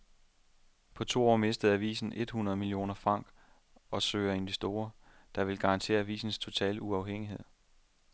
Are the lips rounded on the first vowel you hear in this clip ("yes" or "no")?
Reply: yes